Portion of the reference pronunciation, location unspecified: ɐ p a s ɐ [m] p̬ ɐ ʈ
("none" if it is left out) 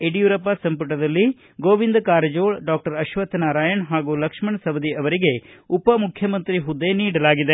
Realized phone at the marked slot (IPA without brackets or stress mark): m